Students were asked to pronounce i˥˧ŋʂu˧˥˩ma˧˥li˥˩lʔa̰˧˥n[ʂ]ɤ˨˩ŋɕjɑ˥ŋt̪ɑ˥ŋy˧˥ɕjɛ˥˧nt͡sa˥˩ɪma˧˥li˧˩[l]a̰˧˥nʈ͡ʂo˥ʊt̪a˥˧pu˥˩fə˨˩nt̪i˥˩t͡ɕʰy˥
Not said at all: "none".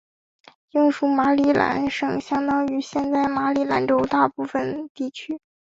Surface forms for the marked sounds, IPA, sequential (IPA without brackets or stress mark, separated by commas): ʂ, l